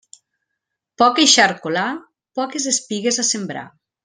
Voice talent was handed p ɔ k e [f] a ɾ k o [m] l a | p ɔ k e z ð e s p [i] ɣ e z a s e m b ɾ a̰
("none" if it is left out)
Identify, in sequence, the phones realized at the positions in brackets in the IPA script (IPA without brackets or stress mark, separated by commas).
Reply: ʃ, none, i